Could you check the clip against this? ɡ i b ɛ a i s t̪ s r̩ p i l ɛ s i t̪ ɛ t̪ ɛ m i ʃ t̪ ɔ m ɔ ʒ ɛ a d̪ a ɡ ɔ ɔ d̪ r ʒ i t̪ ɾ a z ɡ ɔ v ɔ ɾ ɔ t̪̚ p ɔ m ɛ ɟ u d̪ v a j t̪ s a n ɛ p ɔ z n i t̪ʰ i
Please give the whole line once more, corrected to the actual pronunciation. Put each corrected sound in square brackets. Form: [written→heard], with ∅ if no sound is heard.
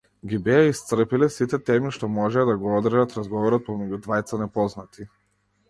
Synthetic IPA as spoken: ɡ i b ɛ a i s t̪ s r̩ p i l ɛ s i t̪ ɛ t̪ ɛ m i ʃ t̪ ɔ m ɔ ʒ ɛ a d̪ a ɡ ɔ ɔ d̪ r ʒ [i→a] t̪ ɾ a z ɡ ɔ v ɔ ɾ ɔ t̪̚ p ɔ m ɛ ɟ u d̪ v a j t̪ s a n ɛ p ɔ z n [i→a] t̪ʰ i